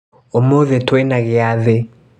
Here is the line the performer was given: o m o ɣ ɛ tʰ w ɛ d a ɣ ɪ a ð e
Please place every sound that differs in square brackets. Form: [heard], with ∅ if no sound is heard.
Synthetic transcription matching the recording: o m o [ð] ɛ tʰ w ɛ [n] a ɣ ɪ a ð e